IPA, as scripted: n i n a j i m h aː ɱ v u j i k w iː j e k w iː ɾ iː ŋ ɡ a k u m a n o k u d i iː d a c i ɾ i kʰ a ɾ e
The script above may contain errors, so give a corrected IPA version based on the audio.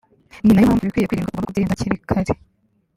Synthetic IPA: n i n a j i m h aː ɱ v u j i k w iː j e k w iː ɾ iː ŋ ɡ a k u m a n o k u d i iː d a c i ɾ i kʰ a ɾ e